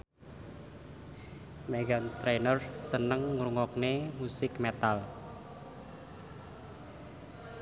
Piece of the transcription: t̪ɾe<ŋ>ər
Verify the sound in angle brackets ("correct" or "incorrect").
incorrect